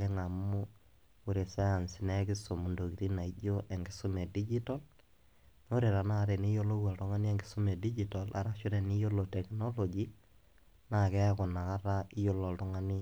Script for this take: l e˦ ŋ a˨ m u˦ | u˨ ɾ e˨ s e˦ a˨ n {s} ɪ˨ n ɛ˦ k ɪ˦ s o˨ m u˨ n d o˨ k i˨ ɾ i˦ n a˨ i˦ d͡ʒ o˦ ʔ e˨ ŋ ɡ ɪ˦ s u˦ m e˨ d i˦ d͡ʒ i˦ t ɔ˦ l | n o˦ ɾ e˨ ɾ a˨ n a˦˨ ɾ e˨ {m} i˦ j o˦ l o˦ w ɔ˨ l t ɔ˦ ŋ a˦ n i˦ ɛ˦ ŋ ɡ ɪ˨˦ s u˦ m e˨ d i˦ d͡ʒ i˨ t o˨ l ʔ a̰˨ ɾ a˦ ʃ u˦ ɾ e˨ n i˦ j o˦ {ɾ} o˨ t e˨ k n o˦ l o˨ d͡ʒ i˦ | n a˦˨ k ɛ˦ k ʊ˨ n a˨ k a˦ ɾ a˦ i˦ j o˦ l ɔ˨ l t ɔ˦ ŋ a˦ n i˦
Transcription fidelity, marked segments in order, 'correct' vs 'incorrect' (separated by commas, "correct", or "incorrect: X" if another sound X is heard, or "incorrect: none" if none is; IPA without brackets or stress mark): correct, incorrect: n, incorrect: l